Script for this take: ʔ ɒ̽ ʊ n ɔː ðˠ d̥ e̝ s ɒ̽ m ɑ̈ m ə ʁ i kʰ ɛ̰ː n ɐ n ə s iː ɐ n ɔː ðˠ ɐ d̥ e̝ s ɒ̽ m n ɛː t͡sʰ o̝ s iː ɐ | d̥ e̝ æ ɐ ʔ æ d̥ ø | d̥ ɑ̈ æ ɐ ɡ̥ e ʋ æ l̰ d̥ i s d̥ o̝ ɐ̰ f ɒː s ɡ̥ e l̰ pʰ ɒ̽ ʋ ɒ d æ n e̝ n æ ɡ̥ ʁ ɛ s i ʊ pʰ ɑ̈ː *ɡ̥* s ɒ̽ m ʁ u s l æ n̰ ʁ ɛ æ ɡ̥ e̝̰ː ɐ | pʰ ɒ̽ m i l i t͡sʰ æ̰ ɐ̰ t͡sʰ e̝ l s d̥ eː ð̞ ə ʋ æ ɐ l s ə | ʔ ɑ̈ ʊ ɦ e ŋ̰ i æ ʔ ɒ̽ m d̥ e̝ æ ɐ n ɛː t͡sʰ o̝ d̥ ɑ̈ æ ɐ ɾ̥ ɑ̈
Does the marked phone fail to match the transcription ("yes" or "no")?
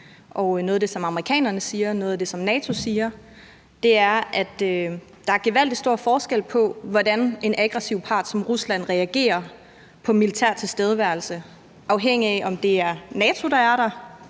yes